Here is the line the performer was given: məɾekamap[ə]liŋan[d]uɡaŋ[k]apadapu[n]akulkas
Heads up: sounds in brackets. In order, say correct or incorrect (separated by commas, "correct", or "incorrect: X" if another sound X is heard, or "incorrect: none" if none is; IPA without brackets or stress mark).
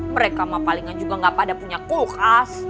incorrect: a, incorrect: d͡ʒ, incorrect: ɡ, incorrect: ɲ